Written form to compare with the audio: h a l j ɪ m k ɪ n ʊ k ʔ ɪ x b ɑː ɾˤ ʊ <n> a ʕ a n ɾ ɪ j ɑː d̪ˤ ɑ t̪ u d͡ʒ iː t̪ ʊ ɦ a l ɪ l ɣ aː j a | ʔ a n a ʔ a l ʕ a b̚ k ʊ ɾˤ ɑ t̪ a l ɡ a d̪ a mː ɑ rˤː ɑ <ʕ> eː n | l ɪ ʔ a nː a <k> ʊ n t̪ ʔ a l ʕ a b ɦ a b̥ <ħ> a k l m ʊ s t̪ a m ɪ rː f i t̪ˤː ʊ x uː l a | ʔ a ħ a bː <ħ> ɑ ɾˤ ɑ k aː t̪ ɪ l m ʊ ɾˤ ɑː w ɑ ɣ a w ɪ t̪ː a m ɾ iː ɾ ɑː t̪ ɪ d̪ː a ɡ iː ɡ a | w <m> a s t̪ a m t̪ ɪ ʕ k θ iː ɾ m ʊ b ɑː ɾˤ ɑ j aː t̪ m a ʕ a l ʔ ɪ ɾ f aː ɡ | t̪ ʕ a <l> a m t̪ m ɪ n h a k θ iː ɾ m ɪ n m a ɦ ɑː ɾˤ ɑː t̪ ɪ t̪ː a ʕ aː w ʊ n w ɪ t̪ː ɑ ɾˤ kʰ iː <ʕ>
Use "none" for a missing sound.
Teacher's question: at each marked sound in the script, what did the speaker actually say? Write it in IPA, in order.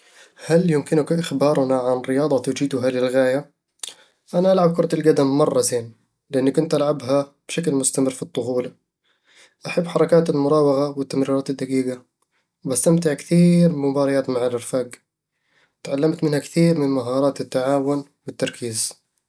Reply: n, z, k, ʃ, ħ, b, lː, z

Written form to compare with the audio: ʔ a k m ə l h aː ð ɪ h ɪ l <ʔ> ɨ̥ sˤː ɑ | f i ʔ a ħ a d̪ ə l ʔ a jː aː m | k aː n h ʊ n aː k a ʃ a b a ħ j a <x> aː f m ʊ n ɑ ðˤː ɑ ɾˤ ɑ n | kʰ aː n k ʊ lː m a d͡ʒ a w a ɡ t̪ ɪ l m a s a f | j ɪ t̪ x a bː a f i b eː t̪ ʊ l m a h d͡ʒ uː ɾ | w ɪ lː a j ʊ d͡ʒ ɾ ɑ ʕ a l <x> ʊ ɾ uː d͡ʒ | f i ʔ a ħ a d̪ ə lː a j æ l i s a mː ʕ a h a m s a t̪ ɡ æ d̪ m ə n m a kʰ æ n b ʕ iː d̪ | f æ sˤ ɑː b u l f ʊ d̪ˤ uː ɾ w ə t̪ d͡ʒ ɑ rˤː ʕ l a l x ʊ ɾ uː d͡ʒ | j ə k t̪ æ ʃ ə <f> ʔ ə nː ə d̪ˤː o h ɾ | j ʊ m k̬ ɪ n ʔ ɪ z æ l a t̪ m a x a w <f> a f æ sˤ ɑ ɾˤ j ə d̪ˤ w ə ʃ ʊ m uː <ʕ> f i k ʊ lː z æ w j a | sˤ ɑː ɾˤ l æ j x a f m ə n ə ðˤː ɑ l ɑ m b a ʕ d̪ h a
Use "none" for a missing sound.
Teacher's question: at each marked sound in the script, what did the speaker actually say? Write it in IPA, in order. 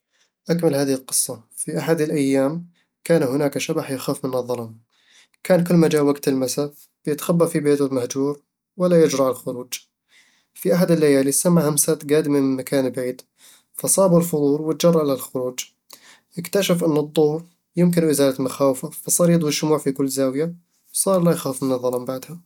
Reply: q, x, x, f, f, ʕ

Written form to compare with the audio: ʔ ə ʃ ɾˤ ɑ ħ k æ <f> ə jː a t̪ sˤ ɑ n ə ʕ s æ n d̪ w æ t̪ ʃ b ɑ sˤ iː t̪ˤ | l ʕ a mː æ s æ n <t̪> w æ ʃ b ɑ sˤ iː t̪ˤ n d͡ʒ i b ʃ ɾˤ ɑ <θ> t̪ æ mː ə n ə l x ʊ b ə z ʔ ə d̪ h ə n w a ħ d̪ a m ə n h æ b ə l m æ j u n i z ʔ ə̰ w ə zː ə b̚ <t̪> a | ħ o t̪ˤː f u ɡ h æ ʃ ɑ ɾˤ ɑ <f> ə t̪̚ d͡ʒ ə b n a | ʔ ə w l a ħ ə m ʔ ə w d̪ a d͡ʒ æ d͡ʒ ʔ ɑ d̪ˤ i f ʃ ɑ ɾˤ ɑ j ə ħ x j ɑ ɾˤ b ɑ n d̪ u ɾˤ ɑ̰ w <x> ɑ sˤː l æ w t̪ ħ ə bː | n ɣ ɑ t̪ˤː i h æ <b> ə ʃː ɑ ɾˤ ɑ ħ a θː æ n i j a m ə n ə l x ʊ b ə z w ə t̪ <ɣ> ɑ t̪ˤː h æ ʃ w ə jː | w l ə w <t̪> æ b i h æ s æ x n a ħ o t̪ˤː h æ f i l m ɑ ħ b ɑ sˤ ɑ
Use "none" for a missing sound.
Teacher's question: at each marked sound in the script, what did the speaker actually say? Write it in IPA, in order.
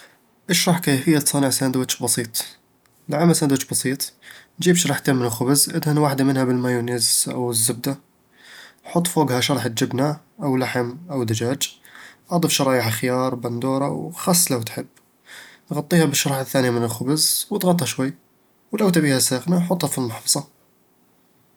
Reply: f, d̪, ħ, d̪, ħ, x, b, ɣ, t̪

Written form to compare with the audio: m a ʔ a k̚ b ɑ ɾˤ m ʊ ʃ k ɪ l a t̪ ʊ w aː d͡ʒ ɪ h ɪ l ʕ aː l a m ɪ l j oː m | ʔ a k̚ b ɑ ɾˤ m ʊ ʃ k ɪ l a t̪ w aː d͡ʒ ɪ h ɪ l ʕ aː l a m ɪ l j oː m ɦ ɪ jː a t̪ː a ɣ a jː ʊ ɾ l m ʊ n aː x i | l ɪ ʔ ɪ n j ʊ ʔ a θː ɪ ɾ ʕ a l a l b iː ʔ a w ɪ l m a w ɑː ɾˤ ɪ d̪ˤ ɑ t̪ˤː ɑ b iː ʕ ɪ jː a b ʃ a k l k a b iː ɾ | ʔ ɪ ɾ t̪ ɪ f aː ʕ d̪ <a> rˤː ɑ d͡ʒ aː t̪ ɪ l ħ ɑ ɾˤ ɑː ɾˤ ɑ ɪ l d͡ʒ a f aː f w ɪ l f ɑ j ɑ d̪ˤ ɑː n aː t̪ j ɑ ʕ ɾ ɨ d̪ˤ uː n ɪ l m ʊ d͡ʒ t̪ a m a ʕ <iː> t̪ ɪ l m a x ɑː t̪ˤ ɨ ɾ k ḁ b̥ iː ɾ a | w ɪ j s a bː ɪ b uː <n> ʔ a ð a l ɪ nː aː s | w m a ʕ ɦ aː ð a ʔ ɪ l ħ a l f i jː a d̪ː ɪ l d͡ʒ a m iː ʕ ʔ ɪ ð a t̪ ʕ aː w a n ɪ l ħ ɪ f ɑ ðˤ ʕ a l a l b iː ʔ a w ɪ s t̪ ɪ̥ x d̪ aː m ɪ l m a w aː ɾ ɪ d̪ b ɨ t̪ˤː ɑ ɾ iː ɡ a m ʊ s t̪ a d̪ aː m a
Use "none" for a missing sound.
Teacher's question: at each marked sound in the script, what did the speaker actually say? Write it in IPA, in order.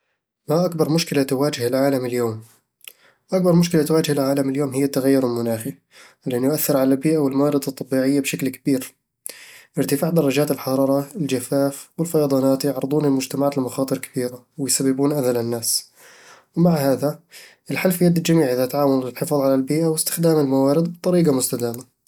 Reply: ɑ, aː, n

